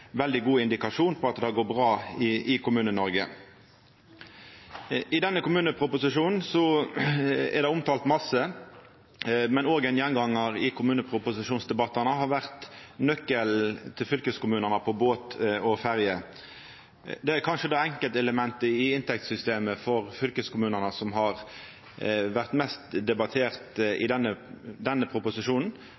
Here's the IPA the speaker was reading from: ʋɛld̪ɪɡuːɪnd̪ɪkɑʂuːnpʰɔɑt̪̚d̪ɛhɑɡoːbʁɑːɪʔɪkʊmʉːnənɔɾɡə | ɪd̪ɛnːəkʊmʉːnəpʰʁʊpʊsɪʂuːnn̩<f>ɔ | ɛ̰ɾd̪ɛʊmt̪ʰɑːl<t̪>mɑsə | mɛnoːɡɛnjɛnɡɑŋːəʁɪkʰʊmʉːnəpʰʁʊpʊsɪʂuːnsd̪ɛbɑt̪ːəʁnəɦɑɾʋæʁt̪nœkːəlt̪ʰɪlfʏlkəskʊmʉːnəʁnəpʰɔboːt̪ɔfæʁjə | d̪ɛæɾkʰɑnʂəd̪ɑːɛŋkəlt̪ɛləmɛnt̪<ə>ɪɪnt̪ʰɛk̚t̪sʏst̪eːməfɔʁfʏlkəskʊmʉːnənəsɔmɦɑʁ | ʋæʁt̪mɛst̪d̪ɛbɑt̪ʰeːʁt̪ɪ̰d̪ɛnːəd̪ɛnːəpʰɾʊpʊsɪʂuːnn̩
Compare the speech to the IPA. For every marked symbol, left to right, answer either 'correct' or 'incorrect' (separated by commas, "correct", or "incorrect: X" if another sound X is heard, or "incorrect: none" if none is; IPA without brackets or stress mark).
incorrect: s, correct, correct